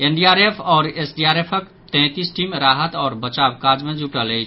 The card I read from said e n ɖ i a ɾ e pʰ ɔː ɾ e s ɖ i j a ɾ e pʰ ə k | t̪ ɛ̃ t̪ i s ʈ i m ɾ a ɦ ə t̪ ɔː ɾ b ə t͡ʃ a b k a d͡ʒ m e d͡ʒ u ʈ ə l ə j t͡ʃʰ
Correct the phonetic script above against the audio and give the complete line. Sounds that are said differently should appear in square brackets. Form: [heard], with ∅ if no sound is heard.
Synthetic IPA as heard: e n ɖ i a ɾ e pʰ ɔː ɾ e s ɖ i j a ɾ e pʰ ə k | t̪ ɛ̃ t̪ i s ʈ i m ɾ a ɦ ə t̪ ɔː ɾ b ə t͡ʃ a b k a d͡ʒ m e d͡ʒ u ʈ ə l ə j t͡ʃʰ